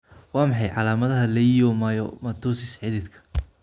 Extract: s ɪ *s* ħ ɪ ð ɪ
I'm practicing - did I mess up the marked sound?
no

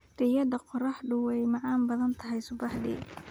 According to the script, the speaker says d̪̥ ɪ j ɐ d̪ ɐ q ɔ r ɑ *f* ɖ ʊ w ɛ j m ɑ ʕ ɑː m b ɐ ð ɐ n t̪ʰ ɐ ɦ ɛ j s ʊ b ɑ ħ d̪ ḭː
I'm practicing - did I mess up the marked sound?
yes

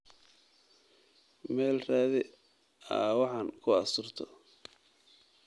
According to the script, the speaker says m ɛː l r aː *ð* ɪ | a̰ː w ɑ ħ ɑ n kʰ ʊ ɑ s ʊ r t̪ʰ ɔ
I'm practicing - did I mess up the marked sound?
no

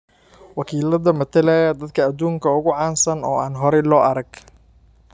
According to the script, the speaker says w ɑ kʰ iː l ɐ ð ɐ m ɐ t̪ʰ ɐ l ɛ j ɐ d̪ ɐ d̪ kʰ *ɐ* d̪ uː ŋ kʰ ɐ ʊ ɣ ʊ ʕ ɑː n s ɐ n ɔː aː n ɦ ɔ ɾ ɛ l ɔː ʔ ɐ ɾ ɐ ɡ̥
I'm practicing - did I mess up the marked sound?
yes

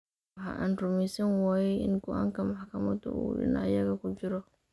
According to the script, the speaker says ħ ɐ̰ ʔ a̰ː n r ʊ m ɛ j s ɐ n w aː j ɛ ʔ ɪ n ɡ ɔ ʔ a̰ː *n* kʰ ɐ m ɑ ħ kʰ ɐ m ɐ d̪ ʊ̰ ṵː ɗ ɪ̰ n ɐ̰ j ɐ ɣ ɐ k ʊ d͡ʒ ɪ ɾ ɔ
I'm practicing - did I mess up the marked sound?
yes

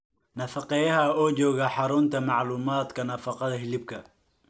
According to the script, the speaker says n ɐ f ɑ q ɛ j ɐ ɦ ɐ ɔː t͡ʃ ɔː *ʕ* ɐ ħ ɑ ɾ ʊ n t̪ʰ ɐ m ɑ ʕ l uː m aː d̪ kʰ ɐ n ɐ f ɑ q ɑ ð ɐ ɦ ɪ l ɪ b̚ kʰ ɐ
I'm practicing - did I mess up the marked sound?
yes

